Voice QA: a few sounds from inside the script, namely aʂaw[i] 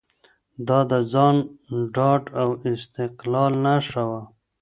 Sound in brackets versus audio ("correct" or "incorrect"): incorrect